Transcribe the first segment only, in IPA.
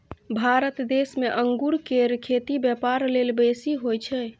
bʱ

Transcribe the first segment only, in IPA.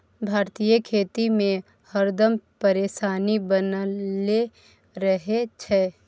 bʱ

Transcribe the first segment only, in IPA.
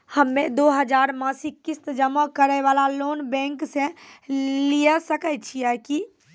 h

